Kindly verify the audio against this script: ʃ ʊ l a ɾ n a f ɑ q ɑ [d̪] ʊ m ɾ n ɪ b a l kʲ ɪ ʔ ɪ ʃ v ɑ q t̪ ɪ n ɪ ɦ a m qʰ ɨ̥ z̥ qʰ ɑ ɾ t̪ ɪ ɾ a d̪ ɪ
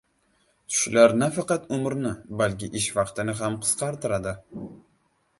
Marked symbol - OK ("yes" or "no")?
no